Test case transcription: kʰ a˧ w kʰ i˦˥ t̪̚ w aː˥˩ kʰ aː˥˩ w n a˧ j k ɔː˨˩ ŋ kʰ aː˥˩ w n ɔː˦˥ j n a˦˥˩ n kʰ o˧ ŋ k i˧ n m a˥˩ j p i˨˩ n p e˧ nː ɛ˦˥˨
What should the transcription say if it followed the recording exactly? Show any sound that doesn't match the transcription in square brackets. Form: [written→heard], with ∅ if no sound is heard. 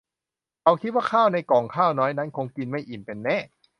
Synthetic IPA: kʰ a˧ w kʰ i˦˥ t̪̚ w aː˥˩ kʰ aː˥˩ w n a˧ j k ɔː˨˩ ŋ kʰ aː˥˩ w n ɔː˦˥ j n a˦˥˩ n kʰ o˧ ŋ k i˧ n m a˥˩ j [p→ʔ] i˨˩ n p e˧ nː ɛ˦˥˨